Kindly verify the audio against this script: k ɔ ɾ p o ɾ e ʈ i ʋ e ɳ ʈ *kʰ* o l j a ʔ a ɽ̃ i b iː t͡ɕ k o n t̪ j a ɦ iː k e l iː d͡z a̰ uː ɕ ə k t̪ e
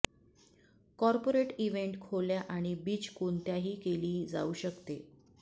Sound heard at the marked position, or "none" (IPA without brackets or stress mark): kʰ